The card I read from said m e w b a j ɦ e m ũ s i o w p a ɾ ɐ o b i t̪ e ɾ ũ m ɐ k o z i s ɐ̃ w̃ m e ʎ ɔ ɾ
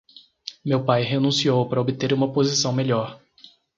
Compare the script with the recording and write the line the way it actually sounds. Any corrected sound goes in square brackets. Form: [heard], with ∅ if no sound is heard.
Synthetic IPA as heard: m e w [p] a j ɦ e [n] ũ s i o w p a ɾ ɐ o b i t̪ e ɾ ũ m ɐ [p] o z i s ɐ̃ w̃ m e ʎ ɔ ɾ